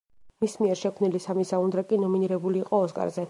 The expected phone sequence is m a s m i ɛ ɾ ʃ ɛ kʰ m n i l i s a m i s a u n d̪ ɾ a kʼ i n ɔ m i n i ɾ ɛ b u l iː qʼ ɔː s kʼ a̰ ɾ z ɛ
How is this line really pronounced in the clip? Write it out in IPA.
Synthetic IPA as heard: m i s m i ɛ ɾ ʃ ɛ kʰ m n i l i s a m i s a u n d̪ ɾ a kʼ i n ɔ m i n i ɾ ɛ b u l iː qʼ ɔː s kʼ a̰ ɾ z ɛ